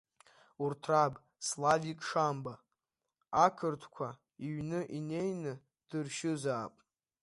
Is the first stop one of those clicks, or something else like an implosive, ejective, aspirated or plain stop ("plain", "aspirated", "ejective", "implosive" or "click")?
aspirated